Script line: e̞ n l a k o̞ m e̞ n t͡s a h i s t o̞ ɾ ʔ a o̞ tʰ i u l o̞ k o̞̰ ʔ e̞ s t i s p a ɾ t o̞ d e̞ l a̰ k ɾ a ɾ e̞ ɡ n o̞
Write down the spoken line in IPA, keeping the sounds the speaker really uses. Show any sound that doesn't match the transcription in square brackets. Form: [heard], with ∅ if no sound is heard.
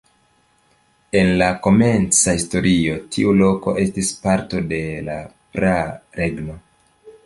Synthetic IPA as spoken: e̞ n l a k o̞ m e̞ n t͡s a h i s t o̞ ɾ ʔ [i] o̞ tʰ i u l o̞ k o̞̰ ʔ e̞ s t i s p a ɾ t o̞ d e̞ l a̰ [p] ɾ a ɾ e̞ ɡ n o̞